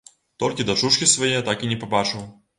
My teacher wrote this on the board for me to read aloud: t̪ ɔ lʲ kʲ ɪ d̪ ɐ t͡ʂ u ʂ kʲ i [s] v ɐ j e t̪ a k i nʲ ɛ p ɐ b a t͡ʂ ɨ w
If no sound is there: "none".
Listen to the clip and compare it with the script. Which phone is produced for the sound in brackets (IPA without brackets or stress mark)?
s